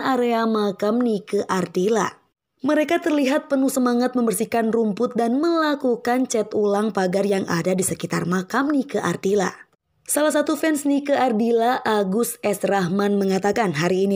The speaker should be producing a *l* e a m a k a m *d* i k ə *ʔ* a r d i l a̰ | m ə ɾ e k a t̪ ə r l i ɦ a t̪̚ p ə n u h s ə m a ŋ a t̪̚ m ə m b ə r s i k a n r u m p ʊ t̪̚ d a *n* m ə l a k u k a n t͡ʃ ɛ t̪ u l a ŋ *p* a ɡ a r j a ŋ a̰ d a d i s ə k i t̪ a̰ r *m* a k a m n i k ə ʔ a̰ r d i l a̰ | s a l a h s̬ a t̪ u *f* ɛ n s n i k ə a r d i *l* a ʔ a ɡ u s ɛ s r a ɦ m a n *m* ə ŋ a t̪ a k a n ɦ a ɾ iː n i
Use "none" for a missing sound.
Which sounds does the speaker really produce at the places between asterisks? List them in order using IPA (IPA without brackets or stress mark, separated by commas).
ɾ, n, ʔ, n, p, m, f, l, m